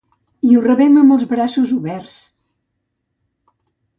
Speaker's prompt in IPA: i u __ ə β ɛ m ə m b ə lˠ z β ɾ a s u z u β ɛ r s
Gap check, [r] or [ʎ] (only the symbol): r